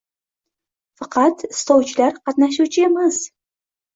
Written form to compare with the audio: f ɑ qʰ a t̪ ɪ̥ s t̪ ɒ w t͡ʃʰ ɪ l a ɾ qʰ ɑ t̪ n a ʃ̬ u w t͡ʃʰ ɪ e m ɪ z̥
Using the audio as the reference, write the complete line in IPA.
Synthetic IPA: f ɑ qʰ ɑ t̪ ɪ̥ s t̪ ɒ w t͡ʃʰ ɪ l a ɾ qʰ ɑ t̪ n a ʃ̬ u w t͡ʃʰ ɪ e m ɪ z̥